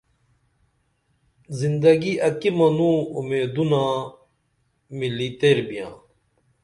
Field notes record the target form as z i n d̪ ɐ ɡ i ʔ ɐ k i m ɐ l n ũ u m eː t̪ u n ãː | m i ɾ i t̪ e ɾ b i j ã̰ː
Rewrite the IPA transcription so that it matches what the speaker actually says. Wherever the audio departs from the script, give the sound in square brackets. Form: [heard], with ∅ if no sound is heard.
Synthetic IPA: z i n d̪ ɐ ɡ i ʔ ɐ k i m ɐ [∅] n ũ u m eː [d̪] u n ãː | m i [l] i t̪ e ɾ b i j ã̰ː